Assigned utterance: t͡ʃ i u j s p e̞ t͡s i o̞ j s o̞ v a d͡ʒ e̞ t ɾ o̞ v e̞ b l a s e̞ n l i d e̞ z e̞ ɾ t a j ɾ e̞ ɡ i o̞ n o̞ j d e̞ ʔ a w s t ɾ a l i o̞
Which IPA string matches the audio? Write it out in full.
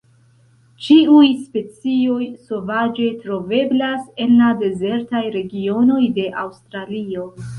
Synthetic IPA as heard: t͡ʃ i u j s p e̞ t͡s i o̞ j s o̞ v a d͡ʒ e̞ t ɾ o̞ v e̞ b l a s e̞ n l a d e̞ z e̞ ɾ t a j ɾ e̞ ɡ i o̞ n o̞ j d e̞ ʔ a w s t ɾ a l i o̞